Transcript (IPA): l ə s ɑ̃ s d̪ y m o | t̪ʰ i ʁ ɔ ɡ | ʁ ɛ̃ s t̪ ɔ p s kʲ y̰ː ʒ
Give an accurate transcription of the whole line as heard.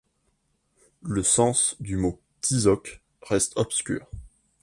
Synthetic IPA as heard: l ə s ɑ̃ s d̪ y m o | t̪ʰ i z ɔ k | ʁ ɛ s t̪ ɔ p s kʲ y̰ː ʁ